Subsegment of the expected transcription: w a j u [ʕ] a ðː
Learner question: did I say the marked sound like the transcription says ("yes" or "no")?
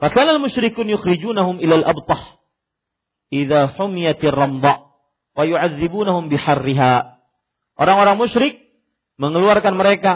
yes